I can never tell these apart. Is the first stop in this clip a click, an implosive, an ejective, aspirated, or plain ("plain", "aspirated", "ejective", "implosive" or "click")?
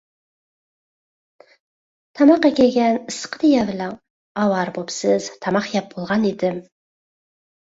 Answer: aspirated